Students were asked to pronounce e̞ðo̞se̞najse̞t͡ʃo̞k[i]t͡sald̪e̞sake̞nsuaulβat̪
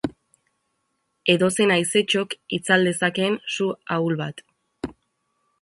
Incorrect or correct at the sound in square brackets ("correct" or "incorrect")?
correct